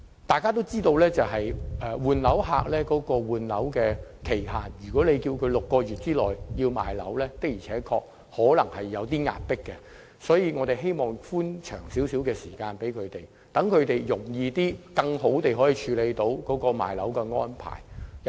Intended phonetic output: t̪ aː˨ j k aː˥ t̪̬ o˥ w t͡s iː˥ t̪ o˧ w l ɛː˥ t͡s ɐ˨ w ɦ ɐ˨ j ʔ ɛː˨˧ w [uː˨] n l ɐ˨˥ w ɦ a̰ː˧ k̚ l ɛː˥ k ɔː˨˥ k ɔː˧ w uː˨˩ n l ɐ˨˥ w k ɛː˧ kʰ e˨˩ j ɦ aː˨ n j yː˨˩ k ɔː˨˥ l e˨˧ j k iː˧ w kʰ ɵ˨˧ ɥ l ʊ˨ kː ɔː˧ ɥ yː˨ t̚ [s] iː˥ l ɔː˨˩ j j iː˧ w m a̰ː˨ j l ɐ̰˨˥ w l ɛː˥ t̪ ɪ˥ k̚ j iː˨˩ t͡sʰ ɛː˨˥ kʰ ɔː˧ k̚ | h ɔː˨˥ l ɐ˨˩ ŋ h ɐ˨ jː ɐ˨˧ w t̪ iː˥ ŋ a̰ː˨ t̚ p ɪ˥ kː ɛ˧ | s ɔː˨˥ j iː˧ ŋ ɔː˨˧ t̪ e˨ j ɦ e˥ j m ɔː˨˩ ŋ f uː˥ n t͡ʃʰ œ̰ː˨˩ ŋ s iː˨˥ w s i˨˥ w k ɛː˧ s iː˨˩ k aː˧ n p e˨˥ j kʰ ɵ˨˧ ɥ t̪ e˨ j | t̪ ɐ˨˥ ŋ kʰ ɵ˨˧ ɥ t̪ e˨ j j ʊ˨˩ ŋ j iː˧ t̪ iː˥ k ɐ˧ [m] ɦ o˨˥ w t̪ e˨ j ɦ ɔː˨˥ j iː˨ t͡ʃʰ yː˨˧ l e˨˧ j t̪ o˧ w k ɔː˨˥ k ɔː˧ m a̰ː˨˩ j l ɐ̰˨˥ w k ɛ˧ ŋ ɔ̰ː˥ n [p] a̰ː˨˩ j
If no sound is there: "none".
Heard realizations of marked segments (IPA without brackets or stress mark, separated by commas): uː˨, t͡s, ŋ, pʰ